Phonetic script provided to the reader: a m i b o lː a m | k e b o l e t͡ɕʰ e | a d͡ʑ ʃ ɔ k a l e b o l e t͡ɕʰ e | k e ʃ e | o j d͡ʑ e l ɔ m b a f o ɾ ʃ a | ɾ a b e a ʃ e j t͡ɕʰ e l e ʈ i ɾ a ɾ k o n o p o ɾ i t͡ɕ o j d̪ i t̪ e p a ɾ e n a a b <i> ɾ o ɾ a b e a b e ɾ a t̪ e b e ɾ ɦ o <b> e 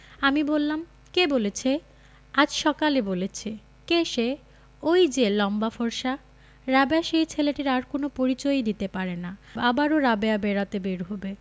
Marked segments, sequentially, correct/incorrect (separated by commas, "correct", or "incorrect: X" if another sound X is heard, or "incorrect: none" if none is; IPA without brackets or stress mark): incorrect: a, correct